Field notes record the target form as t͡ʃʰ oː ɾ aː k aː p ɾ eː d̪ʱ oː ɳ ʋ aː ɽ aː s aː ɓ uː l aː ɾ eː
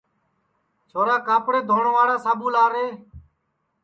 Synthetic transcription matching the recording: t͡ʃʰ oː ɾ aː k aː p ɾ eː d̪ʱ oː ɳ ʋ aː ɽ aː s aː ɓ uː l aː ɾ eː